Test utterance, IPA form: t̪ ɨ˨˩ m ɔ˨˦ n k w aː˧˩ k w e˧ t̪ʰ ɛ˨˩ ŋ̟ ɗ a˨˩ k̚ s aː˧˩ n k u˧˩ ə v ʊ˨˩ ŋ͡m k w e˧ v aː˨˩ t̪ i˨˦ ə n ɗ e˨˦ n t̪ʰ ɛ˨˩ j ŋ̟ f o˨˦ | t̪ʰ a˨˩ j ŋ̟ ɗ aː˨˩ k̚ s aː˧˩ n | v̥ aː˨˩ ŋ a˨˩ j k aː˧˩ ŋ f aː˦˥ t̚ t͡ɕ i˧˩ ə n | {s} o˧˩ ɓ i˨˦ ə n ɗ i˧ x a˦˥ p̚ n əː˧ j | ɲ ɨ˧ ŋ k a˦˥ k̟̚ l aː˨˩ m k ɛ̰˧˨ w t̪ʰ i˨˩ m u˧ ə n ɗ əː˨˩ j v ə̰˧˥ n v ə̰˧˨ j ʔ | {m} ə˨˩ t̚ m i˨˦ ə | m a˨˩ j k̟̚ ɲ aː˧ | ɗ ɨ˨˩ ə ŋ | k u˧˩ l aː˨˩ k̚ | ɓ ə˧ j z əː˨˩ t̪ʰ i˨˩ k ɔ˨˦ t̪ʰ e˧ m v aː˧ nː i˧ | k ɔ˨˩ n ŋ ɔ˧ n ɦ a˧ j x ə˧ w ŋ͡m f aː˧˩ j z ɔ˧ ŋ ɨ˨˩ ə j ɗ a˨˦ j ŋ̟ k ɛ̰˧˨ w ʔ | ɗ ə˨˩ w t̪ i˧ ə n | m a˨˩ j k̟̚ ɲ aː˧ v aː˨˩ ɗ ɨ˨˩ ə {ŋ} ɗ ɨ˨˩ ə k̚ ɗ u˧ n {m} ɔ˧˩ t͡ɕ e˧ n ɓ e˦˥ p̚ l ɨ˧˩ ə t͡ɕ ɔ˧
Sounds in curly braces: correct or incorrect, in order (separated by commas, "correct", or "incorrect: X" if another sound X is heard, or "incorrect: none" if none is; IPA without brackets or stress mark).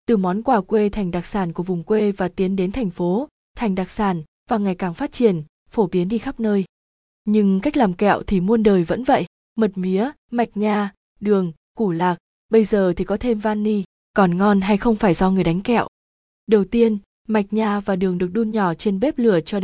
incorrect: f, correct, correct, incorrect: ɲ